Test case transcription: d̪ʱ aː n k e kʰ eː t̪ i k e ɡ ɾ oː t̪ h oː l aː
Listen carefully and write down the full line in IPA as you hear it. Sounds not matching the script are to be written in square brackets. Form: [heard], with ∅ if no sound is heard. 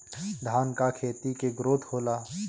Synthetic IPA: d̪ʱ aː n k [a] kʰ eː t̪ i k e ɡ ɾ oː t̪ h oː l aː